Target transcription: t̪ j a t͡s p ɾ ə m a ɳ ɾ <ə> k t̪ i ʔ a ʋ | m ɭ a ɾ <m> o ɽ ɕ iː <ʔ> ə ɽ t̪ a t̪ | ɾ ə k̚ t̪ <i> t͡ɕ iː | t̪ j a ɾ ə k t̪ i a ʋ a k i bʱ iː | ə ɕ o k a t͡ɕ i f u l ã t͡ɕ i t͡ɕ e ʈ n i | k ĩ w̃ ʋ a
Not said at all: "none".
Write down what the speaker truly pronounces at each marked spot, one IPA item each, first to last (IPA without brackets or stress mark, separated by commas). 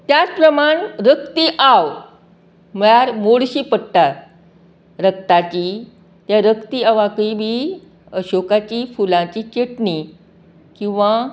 ə, m, p, a